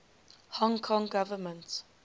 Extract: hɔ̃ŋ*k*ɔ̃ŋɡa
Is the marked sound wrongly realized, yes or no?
yes